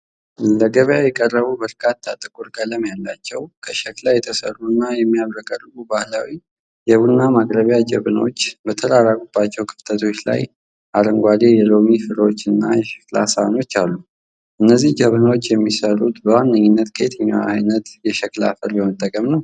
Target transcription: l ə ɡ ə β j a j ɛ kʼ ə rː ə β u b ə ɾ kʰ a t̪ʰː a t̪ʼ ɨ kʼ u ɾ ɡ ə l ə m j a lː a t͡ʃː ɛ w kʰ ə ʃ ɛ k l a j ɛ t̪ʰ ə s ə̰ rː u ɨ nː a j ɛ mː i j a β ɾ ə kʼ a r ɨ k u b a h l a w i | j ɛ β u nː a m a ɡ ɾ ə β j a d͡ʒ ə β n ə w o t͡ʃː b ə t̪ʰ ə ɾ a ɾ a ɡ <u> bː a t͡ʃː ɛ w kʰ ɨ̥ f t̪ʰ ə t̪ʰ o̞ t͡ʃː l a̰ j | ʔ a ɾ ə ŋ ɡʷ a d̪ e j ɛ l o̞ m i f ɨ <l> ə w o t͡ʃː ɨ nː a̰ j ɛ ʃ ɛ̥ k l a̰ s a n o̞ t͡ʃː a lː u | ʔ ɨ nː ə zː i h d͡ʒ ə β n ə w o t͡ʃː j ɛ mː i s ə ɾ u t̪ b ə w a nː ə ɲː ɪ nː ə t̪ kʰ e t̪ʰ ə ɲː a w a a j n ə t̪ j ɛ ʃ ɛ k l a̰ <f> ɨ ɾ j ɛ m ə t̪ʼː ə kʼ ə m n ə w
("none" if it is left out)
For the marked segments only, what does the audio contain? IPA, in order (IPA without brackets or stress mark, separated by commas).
u, ɾ, f